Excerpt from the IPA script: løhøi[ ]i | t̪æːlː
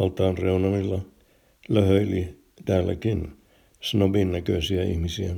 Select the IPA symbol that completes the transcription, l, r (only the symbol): l